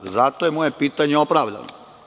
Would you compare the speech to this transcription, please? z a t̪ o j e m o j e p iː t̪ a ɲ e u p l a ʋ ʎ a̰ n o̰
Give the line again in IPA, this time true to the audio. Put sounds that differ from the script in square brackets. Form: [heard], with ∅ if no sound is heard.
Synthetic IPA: z a t̪ o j e m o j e p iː t̪ a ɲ e [o] p [ɾ] a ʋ ʎ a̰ n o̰